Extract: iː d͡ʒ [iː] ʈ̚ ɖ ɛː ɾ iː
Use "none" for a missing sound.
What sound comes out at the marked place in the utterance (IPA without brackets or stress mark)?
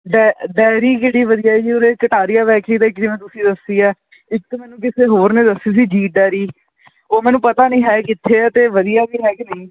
iː